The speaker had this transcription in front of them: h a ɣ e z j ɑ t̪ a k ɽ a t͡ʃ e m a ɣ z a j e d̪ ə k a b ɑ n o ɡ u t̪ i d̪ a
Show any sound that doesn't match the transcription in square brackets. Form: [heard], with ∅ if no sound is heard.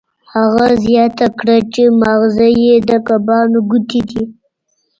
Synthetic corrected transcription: h a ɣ [a] z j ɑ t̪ a k ɽ a t͡ʃ e m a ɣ z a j e d̪ ə k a b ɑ n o ɡ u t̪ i d̪ [i]